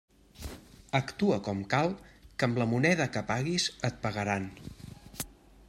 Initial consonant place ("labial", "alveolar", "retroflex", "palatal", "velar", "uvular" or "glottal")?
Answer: velar